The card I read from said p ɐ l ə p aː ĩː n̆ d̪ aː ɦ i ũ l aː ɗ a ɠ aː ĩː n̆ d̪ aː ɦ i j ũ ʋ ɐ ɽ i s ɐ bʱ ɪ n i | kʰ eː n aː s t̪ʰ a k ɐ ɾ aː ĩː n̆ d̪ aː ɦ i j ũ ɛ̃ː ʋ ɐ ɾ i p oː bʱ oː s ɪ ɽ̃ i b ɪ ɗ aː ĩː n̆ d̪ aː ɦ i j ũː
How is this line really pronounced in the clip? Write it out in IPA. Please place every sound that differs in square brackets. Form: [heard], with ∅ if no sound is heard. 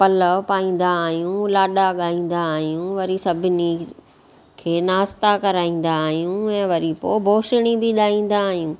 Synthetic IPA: p ɐ l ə p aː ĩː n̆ d̪ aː ɦ [j] ũ l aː ɗ a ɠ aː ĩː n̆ d̪ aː ɦ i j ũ ʋ ɐ [ɾ] i s ɐ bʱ ɪ n i | kʰ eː n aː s [t̪] a k ɐ ɾ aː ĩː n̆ d̪ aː ɦ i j ũ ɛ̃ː ʋ ɐ ɾ i p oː bʱ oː [ʃ] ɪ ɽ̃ i b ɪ ɗ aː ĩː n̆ d̪ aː ɦ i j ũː